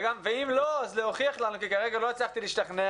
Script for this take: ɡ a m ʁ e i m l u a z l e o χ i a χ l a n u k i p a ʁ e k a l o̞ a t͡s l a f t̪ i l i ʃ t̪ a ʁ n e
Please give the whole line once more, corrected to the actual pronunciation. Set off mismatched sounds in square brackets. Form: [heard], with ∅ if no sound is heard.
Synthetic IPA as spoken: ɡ a m [v] e i m l [o] a z l e o χ i a χ l a n u k i [k] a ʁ e [ɡ] a l o̞ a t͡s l a [χ] t̪ i l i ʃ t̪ a [χ] n e